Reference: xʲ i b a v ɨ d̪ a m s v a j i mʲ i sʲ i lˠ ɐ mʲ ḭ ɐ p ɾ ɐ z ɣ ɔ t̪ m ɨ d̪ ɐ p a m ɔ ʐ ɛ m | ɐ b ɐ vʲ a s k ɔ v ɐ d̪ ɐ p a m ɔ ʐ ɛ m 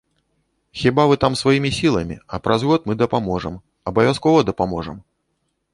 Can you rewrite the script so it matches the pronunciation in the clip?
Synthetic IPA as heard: xʲ i b a v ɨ t̪ a m s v a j i mʲ i sʲ i lˠ ɐ mʲ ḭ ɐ p ɾ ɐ z ɣ ɔ t̪ m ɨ d̪ ɐ p a m ɔ ʐ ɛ m | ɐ b ɐ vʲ a s k ɔ v ɐ d̪ ɐ p a m ɔ ʐ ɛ m